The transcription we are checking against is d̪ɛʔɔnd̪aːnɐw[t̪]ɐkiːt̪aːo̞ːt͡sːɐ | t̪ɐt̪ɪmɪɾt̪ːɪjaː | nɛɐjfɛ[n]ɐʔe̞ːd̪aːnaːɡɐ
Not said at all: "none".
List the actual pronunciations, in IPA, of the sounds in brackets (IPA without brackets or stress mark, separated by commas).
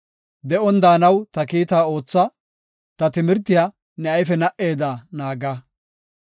t̪, n